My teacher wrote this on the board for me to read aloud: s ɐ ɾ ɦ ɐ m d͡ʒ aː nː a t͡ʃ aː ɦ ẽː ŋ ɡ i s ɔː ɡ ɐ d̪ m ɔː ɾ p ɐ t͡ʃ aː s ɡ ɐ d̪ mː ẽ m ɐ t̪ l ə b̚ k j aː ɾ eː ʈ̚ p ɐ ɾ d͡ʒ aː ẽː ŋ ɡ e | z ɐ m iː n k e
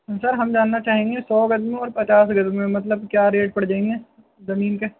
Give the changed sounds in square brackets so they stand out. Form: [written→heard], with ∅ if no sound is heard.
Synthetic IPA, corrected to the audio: s ɐ ɾ ɦ ɐ m d͡ʒ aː nː a t͡ʃ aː ɦ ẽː ŋ ɡ [i→e] s ɔː ɡ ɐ d̪ m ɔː ɾ p ɐ t͡ʃ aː s ɡ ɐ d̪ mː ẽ m ɐ t̪ l ə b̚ k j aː ɾ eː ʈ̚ p ɐ [ɾ→ɽ] d͡ʒ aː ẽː ŋ ɡ e | z ɐ m iː n k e